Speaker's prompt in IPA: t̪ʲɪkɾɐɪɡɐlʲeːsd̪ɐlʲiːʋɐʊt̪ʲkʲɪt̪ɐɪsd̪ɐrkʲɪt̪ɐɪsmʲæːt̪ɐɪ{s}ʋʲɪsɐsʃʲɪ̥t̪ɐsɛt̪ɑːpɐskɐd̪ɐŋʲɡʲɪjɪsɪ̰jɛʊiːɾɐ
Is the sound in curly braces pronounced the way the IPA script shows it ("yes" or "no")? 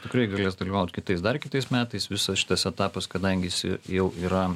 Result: yes